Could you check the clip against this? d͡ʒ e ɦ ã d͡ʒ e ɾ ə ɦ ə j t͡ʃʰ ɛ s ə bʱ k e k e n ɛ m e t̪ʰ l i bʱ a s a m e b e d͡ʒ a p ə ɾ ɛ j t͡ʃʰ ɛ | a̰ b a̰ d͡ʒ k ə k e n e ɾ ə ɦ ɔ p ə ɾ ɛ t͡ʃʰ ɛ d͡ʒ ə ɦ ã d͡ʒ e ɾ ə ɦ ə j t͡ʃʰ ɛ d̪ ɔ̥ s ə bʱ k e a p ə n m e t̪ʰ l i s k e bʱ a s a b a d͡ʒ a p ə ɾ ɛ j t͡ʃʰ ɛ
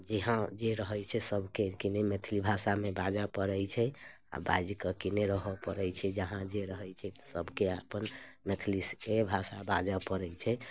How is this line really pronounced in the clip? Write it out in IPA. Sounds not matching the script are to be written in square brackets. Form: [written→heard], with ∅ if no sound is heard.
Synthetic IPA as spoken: d͡ʒ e ɦ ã d͡ʒ e ɾ ə ɦ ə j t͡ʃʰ ɛ s ə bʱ k e k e n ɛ m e t̪ʰ l i bʱ a s a m e b [e→a] d͡ʒ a p ə ɾ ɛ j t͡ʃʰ ɛ | a̰ b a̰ d͡ʒ k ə k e n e ɾ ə ɦ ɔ p ə ɾ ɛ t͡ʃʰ ɛ d͡ʒ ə ɦ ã d͡ʒ e ɾ ə ɦ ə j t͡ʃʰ ɛ [d̪→t̪] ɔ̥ s ə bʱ k e a p ə n m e t̪ʰ l i s k e bʱ a s a b a d͡ʒ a p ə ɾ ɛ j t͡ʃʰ ɛ